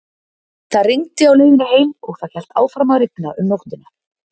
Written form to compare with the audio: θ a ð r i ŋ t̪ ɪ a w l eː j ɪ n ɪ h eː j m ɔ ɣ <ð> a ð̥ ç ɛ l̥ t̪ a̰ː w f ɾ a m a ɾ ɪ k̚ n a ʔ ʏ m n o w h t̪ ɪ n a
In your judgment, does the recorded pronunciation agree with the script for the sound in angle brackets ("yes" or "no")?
no